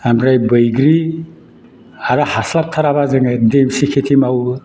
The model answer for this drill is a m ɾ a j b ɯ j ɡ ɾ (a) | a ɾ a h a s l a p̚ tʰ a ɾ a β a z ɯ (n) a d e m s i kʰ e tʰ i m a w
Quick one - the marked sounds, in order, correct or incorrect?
incorrect: i, incorrect: ŋ

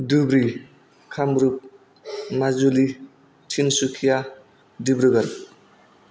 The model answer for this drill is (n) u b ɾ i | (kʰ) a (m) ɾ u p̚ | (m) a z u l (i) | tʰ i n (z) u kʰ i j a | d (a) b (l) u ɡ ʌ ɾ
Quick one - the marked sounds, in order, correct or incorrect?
incorrect: d, correct, correct, correct, correct, incorrect: s, incorrect: i, incorrect: ɾ

